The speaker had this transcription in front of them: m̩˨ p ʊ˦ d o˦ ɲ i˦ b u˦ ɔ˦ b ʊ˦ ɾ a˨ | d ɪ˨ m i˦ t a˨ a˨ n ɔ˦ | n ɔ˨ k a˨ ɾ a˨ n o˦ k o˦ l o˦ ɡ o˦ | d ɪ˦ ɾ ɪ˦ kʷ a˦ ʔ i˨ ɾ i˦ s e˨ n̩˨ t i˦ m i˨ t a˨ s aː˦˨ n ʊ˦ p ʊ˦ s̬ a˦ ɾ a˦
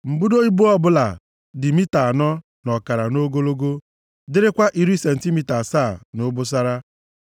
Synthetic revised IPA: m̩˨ b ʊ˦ d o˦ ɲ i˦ b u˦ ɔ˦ b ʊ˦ l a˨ | d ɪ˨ m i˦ t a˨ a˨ n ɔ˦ | n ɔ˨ k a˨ ɾ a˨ n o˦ ɡ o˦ l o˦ ɡ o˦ | d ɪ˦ ɾ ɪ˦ kʷ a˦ ʔ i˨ ɾ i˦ s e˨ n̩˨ t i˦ m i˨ t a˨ s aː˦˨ n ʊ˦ b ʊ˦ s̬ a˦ ɾ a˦